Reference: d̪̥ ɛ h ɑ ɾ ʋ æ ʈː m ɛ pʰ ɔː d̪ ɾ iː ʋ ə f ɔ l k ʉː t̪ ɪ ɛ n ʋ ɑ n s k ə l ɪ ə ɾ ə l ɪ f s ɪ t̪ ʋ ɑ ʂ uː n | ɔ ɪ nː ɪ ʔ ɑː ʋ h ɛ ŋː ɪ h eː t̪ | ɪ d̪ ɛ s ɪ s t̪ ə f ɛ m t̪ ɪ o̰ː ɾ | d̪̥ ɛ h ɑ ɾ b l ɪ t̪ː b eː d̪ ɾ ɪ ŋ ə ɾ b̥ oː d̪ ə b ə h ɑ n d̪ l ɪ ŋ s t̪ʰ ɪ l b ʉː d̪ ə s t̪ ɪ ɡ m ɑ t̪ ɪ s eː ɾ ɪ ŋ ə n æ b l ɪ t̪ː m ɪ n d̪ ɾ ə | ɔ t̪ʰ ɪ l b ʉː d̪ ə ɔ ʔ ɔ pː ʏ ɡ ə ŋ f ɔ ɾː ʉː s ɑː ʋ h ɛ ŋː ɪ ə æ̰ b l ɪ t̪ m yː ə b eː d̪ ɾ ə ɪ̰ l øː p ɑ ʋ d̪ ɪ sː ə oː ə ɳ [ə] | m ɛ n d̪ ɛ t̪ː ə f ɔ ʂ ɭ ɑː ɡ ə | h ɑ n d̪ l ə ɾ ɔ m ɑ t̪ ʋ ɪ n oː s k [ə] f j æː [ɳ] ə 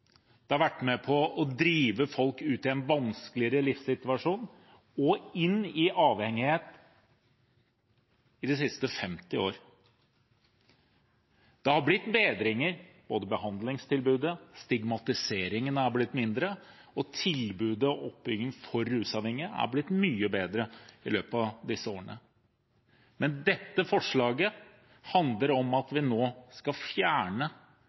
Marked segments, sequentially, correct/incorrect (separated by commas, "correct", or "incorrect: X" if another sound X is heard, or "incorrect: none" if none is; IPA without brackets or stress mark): correct, incorrect: ɑ, correct